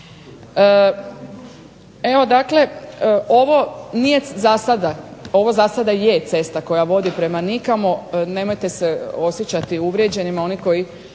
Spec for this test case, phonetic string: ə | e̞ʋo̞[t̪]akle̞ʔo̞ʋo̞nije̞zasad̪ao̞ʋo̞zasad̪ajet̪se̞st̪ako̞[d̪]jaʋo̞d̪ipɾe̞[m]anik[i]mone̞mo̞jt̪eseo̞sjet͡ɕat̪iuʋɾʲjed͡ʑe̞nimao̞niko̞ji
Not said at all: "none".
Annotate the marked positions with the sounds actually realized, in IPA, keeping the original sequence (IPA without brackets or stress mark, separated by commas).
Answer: d̪, none, m, a